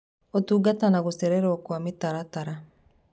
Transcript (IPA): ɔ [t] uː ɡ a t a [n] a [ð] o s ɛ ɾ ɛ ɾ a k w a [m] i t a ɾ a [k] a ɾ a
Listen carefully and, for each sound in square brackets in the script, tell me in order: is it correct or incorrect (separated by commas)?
correct, correct, incorrect, correct, incorrect